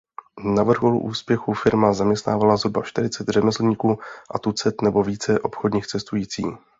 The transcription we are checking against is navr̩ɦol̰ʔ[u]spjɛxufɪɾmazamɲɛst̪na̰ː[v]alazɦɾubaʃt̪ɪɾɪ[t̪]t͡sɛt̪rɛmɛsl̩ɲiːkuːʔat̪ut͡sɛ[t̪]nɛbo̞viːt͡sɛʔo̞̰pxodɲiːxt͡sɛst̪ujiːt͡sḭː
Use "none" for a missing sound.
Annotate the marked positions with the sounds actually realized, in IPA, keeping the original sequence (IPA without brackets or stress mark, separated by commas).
uː, v, none, t̪